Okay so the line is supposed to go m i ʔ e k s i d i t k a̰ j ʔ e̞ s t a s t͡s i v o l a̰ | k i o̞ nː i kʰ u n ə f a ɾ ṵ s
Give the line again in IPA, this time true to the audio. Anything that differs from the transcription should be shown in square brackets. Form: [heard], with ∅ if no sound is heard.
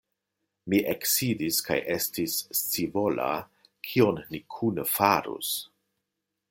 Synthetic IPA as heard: m i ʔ e k s i d i [s] k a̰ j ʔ e̞ s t [i] s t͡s i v o l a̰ | [kʰ] i o̞ nː i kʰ u n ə f a ɾ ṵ s